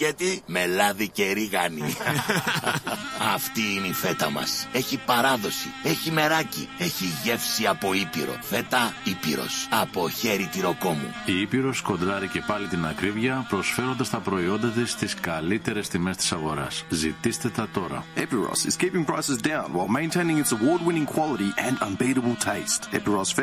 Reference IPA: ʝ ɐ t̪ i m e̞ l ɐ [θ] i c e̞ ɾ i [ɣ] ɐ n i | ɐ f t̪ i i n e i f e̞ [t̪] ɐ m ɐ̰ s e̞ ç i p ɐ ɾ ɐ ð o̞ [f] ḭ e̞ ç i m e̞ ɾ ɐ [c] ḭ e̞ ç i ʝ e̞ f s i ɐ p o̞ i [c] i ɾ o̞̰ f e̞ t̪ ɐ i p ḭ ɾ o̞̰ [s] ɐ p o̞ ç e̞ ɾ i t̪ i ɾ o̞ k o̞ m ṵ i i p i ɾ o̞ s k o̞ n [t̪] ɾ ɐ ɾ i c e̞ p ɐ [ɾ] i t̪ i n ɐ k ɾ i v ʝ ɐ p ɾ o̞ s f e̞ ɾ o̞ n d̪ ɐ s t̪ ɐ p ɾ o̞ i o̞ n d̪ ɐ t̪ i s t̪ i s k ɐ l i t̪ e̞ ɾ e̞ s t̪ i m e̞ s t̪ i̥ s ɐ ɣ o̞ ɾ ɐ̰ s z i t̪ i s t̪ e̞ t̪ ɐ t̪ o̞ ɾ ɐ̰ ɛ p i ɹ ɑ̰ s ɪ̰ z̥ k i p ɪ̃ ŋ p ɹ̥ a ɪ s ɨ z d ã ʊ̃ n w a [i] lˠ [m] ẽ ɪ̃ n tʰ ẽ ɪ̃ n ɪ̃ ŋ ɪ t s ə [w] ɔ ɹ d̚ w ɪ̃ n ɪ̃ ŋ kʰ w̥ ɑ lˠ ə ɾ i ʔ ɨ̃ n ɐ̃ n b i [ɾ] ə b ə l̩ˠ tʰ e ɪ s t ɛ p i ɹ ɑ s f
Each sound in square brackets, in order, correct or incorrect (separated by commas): incorrect, correct, correct, incorrect, correct, incorrect, correct, incorrect, incorrect, incorrect, correct, correct, correct